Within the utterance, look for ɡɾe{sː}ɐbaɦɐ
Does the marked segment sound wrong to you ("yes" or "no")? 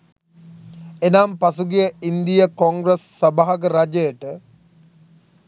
no